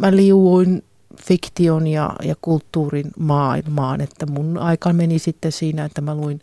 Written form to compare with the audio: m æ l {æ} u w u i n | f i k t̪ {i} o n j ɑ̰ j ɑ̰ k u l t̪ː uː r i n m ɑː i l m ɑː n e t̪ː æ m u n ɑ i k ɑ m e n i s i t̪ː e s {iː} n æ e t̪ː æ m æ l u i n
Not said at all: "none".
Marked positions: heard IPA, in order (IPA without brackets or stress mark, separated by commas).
i, i, iː